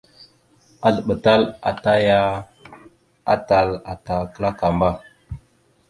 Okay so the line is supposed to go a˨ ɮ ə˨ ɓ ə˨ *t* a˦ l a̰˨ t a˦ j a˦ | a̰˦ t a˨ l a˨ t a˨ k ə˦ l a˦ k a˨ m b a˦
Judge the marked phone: correct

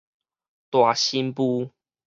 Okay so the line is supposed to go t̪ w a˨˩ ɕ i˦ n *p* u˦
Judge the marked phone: correct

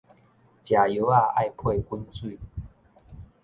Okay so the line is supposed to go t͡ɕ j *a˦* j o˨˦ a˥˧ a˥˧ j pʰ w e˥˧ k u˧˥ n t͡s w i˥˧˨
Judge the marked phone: incorrect: a˨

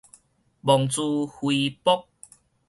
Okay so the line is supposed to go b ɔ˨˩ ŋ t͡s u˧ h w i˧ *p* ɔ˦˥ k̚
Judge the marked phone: correct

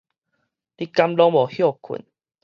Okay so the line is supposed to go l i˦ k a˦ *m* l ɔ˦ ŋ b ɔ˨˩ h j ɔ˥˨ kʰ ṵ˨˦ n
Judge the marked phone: correct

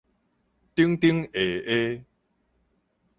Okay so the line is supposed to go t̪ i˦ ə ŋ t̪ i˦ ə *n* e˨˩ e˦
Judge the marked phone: incorrect: ŋ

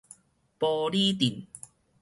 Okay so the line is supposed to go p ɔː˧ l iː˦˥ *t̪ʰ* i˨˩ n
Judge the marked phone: incorrect: t̪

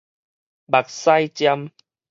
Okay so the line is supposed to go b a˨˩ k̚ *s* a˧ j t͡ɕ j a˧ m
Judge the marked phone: correct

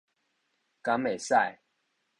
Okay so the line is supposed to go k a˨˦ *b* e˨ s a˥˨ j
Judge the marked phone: incorrect: m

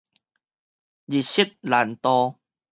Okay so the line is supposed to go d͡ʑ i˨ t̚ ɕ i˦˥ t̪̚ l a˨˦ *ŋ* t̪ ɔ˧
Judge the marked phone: incorrect: n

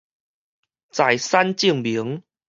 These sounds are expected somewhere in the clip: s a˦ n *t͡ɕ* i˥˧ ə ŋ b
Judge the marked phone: correct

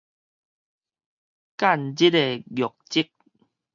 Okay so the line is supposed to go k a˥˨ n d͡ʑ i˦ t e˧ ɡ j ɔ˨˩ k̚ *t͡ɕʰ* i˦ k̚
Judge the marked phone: incorrect: t͡ɕ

